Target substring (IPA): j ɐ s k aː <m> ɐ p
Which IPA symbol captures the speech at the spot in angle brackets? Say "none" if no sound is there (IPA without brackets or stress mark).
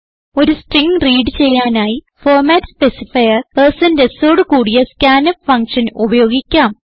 n